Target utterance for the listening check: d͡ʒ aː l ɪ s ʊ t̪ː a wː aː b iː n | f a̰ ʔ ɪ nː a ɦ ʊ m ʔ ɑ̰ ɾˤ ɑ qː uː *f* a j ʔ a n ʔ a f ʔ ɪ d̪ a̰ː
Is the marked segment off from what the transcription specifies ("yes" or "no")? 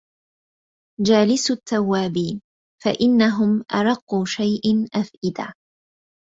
yes